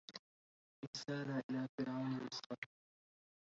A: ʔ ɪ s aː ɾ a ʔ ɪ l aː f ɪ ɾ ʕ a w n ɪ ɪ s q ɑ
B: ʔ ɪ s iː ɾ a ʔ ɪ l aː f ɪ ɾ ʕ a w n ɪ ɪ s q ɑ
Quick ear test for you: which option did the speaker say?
A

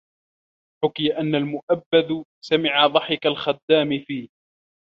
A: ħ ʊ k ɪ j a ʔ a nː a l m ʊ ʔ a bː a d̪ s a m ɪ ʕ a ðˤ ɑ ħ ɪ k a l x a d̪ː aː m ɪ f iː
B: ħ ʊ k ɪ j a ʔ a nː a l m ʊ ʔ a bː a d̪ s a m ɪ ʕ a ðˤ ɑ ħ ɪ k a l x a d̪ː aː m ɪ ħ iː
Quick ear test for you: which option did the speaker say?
A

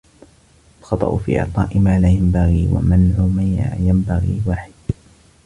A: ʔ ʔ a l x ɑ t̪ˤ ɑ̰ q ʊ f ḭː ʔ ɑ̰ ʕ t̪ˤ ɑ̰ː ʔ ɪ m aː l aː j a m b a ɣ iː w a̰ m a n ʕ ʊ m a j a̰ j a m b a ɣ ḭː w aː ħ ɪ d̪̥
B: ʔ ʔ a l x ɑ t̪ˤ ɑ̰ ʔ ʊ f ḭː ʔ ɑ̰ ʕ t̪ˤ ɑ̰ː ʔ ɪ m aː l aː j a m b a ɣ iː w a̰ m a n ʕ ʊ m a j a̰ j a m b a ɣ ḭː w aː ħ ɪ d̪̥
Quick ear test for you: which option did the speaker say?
B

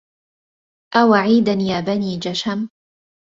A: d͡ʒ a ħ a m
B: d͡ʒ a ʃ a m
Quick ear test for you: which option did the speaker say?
B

